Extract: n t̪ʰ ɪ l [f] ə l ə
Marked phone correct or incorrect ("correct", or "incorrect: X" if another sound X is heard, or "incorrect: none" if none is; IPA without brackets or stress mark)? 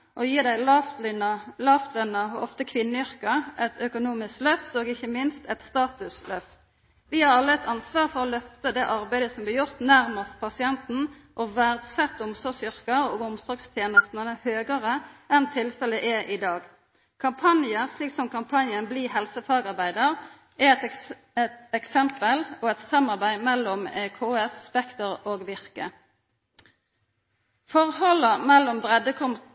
correct